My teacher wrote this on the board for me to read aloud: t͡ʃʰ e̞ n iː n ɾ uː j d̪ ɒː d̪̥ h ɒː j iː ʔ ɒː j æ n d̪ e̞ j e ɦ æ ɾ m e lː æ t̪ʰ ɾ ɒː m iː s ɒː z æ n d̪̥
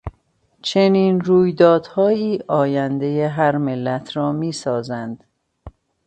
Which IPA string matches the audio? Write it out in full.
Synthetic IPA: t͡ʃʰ e̞ n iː n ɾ uː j d̪ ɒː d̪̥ h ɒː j iː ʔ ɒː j æ n d̪ e̞ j e ɦ æ ɾ m e lː æ t̪ʰ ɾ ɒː m iː s ɒː z æ n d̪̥